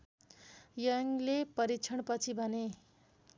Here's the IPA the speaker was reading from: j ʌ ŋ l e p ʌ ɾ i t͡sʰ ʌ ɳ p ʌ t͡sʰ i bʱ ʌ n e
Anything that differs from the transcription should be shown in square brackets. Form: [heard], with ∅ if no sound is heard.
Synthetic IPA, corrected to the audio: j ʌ ŋ l e p ʌ ɾ i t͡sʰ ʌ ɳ p ʌ t͡sʰ i bʱ ʌ n e